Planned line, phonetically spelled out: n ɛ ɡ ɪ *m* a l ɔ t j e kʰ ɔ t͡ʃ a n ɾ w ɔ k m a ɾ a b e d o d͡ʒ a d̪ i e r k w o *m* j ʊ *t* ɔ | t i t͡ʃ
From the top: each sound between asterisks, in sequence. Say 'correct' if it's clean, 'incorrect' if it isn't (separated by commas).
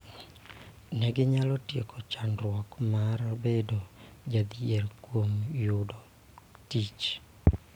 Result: incorrect, correct, incorrect